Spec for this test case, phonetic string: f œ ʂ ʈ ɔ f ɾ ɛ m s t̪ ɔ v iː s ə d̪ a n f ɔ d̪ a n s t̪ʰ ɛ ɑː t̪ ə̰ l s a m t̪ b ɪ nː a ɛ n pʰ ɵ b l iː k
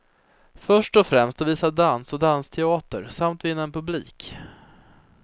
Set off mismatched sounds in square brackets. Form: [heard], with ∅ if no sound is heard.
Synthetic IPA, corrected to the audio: f œ ʂ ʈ ɔ f ɾ ɛ m s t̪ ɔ v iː s [a] d̪ a n [s] ɔ d̪ a n s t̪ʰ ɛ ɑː t̪ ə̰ [ɾ] s a m t̪ [v] ɪ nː a ɛ n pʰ ɵ b l iː k